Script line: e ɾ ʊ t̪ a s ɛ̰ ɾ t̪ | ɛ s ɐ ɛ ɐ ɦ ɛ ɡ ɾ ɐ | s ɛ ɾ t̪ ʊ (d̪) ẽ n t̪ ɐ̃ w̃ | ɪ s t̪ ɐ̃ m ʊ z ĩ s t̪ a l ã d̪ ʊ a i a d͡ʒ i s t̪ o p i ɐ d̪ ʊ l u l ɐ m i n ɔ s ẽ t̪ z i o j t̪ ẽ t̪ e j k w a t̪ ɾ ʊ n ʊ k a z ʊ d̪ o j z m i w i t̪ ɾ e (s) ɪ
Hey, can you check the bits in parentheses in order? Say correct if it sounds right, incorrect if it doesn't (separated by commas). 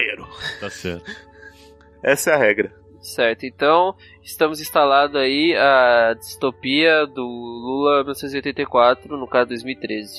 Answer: incorrect, incorrect